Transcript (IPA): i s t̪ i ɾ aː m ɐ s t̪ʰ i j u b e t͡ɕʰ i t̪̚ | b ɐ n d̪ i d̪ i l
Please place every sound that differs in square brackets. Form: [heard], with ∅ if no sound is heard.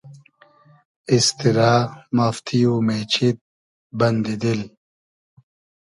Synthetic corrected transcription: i s t̪ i ɾ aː m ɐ [f] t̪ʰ i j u [m] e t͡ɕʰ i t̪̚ | b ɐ n d̪ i d̪ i l